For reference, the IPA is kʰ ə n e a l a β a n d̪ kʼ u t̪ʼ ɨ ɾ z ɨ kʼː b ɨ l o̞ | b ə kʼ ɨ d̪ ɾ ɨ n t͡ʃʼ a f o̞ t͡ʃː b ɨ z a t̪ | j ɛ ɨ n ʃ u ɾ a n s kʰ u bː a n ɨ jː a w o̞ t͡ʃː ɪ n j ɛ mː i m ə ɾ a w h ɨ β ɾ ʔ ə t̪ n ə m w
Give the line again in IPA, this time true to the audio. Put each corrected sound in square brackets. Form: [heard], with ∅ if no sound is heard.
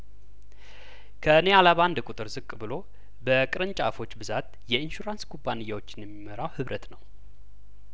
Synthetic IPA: kʰ ə n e a l a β a n d̪ kʼ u t̪ʼ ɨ ɾ z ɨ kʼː b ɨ l o̞ | b ə kʼ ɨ [∅] ɾ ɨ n t͡ʃʼ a f o̞ t͡ʃː b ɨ z a t̪ | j ɛ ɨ n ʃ u ɾ a n s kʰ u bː a n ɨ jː a w o̞ t͡ʃː ɪ n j ɛ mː i m ə ɾ a w h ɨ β ɾ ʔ ə t̪ n ə [∅] w